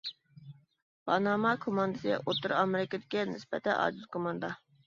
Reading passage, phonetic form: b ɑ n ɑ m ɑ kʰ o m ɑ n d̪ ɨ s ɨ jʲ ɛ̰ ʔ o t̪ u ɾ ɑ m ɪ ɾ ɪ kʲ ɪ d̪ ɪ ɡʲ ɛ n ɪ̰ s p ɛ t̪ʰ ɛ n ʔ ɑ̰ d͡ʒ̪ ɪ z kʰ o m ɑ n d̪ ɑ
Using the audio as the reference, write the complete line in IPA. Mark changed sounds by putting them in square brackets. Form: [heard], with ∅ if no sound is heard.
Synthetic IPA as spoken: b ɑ n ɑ m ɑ kʰ o m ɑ n d̪ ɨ s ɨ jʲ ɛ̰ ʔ o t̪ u ɾ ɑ m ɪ ɾ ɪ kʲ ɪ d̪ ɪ [kʲ] ɛ n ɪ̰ s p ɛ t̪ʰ ɛ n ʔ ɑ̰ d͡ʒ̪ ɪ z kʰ o m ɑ n d̪ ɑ